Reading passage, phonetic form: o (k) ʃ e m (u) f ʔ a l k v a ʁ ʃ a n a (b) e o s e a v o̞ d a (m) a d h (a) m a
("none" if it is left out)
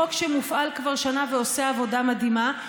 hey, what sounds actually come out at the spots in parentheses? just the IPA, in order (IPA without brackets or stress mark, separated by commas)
k, u, v, m, i